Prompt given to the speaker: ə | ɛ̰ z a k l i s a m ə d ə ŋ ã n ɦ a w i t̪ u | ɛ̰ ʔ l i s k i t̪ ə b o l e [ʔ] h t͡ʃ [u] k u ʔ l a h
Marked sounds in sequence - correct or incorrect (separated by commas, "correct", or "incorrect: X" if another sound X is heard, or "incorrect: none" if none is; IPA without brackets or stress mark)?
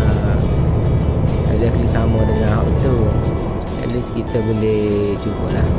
incorrect: none, correct